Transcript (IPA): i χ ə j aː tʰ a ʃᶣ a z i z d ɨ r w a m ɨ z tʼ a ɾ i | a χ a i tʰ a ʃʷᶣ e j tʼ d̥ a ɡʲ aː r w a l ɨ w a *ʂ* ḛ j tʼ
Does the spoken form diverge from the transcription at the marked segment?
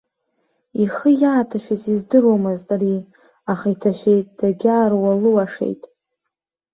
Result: no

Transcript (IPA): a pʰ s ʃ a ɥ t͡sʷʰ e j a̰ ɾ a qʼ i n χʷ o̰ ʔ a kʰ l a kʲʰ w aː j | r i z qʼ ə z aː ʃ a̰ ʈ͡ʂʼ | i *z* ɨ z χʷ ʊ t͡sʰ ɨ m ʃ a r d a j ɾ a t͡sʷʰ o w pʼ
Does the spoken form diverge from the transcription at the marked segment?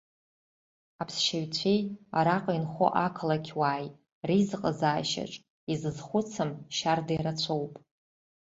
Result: no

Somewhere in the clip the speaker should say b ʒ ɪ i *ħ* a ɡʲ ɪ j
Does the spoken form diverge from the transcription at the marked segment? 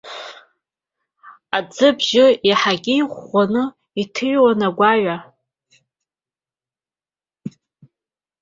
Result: no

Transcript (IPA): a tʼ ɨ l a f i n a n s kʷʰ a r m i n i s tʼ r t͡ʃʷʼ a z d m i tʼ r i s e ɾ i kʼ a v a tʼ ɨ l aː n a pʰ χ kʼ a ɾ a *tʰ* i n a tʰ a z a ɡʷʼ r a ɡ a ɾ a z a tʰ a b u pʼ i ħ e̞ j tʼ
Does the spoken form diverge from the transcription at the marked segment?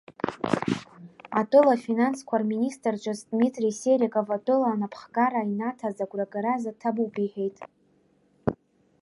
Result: yes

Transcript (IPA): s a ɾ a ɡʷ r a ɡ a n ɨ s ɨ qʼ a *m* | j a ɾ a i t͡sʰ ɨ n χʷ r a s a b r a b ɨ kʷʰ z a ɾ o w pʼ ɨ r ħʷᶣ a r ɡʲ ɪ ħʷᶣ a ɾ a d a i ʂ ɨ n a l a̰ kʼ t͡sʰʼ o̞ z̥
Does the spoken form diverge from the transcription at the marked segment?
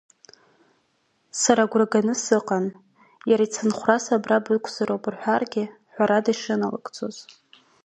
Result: yes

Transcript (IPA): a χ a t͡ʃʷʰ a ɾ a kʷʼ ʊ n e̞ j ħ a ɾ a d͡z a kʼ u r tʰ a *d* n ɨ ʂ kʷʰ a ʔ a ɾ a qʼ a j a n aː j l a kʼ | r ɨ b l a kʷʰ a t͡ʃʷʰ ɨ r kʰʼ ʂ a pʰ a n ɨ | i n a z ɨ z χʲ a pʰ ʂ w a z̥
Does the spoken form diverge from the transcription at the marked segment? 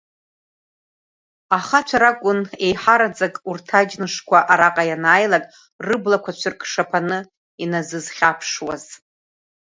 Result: yes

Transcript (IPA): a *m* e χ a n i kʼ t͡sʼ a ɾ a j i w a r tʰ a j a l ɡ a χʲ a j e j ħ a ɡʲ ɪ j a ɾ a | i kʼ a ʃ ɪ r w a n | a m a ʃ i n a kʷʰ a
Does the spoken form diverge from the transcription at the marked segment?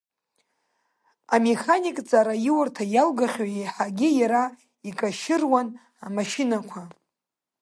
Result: no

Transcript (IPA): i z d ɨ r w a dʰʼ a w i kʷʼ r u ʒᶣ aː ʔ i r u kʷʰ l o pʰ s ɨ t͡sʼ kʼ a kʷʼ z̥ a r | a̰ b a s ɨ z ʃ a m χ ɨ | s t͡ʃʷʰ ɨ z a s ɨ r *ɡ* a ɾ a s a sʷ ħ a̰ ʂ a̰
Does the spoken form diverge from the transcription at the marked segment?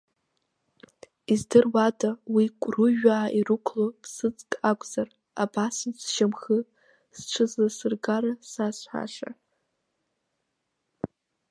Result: no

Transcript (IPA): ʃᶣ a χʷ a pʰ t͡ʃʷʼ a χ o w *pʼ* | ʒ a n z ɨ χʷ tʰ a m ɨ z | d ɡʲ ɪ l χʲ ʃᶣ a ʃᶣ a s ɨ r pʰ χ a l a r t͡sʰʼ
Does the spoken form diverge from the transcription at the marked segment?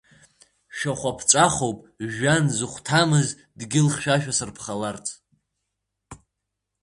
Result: no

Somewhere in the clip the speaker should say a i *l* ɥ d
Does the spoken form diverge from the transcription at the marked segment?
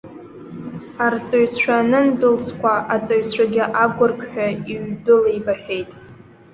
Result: yes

